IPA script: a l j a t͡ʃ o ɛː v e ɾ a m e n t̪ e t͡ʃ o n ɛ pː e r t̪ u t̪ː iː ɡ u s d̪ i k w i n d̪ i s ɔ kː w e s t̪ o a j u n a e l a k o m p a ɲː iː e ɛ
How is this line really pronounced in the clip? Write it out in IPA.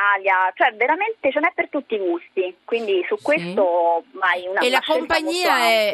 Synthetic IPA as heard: a l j a t͡ʃ o ɛ v e ɾ a m e n t̪ e t͡ʃ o n ɛ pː e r t̪ u t̪ː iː ɡ u s t̪ i k w i n d̪ i s u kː w e s t̪ o a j u n a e l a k o m p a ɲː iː a ɛ